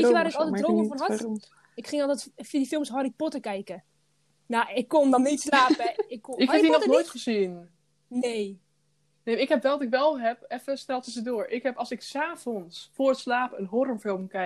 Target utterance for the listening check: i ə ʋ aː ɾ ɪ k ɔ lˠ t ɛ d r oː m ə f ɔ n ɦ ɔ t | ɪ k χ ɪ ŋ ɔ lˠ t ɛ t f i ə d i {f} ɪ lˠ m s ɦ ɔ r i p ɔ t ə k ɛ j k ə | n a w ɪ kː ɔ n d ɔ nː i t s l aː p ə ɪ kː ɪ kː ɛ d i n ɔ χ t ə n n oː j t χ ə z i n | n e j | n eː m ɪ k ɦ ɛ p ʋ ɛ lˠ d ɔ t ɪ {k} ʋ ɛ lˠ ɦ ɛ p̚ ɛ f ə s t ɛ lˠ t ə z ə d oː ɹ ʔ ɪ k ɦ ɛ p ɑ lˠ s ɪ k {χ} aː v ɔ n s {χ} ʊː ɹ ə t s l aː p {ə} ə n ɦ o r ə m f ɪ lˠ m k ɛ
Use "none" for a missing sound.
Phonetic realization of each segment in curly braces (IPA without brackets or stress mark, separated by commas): f, k, s, f, ə